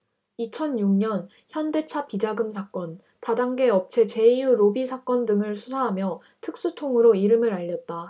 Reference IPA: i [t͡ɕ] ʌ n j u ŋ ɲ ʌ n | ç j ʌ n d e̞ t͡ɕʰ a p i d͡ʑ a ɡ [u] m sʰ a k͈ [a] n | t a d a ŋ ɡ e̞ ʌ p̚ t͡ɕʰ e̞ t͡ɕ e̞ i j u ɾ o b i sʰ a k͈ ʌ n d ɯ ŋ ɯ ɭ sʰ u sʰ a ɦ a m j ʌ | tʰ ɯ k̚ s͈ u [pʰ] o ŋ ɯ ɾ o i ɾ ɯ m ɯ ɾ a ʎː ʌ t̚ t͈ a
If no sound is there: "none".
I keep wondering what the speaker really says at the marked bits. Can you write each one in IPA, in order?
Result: t͡ɕʰ, ɯ, ʌ, tʰ

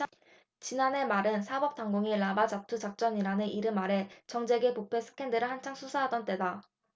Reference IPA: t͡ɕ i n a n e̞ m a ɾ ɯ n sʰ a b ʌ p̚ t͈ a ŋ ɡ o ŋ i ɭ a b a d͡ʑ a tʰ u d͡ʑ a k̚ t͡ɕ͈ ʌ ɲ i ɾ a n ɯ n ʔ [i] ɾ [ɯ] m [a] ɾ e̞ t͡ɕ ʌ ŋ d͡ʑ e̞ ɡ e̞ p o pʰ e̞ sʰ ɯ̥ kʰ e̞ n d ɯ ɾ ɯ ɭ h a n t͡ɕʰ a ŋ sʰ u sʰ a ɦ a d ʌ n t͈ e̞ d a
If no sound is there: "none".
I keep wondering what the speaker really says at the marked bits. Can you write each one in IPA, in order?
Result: i, ɯ, a

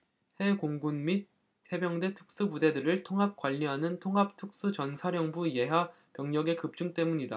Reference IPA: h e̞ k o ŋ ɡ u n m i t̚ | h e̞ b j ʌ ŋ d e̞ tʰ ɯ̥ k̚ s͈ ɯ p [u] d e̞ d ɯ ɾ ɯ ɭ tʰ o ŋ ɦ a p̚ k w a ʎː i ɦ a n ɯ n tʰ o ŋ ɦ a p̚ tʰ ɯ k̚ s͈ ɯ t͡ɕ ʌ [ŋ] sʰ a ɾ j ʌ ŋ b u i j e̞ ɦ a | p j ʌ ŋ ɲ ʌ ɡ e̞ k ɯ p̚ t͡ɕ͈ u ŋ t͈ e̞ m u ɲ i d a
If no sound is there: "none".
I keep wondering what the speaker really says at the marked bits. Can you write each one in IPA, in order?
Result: u, n

